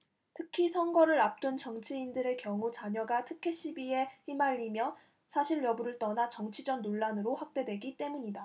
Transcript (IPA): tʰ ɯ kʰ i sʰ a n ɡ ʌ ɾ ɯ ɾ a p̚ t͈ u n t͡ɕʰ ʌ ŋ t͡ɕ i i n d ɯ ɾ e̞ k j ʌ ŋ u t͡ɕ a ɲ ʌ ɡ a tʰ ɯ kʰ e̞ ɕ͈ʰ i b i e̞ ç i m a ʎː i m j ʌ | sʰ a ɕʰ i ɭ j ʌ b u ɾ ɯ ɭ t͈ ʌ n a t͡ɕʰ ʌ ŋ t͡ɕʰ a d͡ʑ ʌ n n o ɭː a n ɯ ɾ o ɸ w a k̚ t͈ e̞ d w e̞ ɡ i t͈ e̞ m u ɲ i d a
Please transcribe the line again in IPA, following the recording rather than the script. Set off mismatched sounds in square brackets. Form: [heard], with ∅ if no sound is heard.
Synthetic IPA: tʰ ɯ kʰ i sʰ [ʌ] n ɡ ʌ ɾ ɯ ɾ a p̚ t͈ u n [t͡ɕ] ʌ ŋ [t͡ɕʰ] i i n d ɯ ɾ e̞ k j ʌ ŋ u t͡ɕ a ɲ ʌ ɡ a tʰ ɯ kʰ e̞ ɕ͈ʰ i b i e̞ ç i m a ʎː i m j ʌ | sʰ a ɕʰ i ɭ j ʌ b u ɾ ɯ ɭ t͈ ʌ n a [t͡ɕ] ʌ ŋ t͡ɕʰ [i] d͡ʑ ʌ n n o ɭː a n ɯ ɾ o ɸ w a k̚ t͈ e̞ d w e̞ ɡ i t͈ e̞ m u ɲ i d a

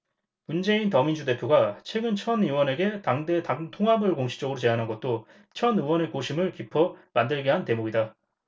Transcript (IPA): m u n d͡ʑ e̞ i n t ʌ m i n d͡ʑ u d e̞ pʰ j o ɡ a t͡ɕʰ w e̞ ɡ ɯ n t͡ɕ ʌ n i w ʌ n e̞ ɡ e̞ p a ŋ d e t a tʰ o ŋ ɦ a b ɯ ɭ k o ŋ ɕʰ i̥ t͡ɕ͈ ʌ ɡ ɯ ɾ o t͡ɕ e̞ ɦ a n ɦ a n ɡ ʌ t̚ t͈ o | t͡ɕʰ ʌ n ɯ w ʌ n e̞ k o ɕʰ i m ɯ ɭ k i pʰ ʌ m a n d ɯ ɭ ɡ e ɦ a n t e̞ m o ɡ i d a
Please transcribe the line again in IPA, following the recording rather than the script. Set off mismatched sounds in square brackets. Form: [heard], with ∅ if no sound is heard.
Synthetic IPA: m u n d͡ʑ e̞ i n t ʌ m i n d͡ʑ u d e̞ pʰ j o ɡ a t͡ɕʰ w e̞ ɡ ɯ n [t͡ɕʰ] ʌ n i w ʌ n e̞ ɡ e̞ [t] a ŋ d e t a tʰ o ŋ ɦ a b ɯ ɭ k o ŋ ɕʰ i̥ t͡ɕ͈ ʌ ɡ ɯ ɾ o t͡ɕ e̞ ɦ a n ɦ a n ɡ ʌ t̚ t͈ o | t͡ɕʰ ʌ n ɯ w ʌ n e̞ k o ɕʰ i m ɯ ɭ k i pʰ ʌ m a n d ɯ ɭ ɡ e ɦ a n t e̞ m o ɡ i d a

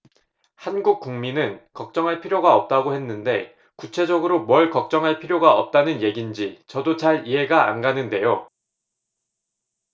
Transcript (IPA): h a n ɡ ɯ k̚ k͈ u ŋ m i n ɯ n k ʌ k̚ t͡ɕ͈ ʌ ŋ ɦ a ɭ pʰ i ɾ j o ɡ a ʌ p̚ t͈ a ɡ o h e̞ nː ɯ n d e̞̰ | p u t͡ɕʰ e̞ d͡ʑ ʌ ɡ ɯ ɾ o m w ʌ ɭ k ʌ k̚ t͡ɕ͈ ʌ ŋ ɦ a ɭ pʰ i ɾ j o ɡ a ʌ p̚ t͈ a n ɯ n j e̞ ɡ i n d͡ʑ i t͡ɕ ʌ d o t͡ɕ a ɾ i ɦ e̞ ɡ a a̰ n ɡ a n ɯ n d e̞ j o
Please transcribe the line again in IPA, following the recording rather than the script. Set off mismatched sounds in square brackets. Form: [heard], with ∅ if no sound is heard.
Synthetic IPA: h a n ɡ [u] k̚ k͈ u ŋ m i n ɯ n k ʌ k̚ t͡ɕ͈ ʌ ŋ ɦ a ɭ pʰ i ɾ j o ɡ a ʌ p̚ t͈ a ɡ o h e̞ nː ɯ n d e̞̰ | [k] u t͡ɕʰ e̞ d͡ʑ ʌ ɡ ɯ ɾ o m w ʌ ɭ k ʌ k̚ t͡ɕ͈ ʌ ŋ ɦ a ɭ pʰ i ɾ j o ɡ a ʌ p̚ t͈ a n ɯ n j e̞ ɡ i n d͡ʑ i t͡ɕ ʌ d o t͡ɕ a ɾ i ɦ e̞ ɡ a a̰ n ɡ a n ɯ n d e̞ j o

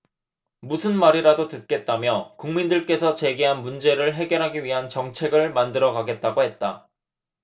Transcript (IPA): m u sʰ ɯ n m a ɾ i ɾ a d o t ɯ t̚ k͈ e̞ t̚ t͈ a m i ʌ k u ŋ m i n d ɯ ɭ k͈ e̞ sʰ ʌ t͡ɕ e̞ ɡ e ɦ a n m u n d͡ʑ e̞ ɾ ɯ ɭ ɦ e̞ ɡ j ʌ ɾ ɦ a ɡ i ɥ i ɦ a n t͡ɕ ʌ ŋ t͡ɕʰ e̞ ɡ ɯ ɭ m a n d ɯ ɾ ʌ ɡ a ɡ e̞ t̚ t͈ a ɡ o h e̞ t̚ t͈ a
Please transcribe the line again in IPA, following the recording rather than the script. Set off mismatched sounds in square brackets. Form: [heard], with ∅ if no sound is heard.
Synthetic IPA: m u sʰ ɯ n m a ɾ i ɾ a d o t ɯ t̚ k͈ e̞ t̚ t͈ a m [j] ʌ k u ŋ m i n d ɯ ɭ k͈ e̞ sʰ ʌ t͡ɕ e̞ ɡ e ɦ a n m u n d͡ʑ e̞ ɾ ɯ ɭ ɦ e̞ ɡ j ʌ ɾ ɦ a ɡ i ɥ i ɦ a n t͡ɕ ʌ ŋ t͡ɕʰ e̞ ɡ ɯ ɭ m a n d ɯ ɾ ʌ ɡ a ɡ e̞ t̚ t͈ a ɡ o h e̞ t̚ t͈ a

